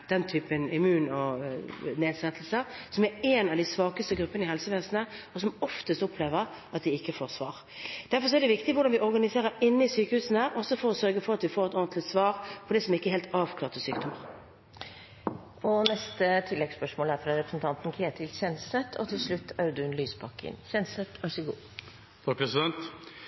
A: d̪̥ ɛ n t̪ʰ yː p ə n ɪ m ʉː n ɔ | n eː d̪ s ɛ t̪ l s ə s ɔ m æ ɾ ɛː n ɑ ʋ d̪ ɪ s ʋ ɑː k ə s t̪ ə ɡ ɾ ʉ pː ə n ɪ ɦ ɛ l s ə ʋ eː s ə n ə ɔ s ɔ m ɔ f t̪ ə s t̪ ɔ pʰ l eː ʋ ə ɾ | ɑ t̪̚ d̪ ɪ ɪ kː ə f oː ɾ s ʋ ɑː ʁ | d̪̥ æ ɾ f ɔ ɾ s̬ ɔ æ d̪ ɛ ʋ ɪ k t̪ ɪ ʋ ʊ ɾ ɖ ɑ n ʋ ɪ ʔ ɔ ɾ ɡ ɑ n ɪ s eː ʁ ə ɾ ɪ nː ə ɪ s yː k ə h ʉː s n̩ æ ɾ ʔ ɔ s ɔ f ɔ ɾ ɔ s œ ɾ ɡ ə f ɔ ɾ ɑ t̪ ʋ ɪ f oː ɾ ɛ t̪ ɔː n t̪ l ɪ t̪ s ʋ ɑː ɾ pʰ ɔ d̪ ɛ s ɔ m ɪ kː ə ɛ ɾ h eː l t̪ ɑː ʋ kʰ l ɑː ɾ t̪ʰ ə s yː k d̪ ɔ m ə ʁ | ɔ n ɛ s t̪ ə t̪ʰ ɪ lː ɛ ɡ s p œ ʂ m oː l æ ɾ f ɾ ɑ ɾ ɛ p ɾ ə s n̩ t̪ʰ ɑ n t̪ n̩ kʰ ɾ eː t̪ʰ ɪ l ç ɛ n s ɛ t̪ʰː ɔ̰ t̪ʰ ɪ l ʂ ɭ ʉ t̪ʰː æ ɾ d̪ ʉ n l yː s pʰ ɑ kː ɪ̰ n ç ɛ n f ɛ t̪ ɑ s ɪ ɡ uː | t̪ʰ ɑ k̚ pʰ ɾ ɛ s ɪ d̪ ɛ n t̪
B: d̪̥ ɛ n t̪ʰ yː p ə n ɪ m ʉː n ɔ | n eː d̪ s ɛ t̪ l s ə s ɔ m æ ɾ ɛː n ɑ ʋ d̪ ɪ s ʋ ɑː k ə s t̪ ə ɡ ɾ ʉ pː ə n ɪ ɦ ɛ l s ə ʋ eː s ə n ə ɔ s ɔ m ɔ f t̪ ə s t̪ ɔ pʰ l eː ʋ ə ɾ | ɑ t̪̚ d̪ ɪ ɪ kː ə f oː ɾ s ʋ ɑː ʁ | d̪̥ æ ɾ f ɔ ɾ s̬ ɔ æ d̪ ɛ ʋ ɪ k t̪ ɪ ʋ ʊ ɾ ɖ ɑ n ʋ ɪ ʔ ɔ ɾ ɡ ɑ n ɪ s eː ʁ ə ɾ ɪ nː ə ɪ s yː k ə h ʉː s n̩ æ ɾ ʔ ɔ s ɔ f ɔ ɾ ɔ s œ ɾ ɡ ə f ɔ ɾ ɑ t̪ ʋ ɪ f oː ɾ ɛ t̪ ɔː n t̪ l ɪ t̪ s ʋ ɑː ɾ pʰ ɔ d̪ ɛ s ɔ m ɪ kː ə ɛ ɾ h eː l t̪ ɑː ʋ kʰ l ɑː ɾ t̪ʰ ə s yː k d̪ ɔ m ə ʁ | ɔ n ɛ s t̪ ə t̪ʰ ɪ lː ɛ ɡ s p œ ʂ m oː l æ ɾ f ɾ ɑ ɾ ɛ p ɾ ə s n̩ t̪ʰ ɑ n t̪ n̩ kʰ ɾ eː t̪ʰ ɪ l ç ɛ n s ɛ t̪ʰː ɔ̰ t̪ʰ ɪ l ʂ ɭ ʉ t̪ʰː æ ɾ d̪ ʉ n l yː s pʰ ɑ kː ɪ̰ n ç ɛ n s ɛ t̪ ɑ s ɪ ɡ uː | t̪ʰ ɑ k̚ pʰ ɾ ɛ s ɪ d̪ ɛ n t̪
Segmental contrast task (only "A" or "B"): B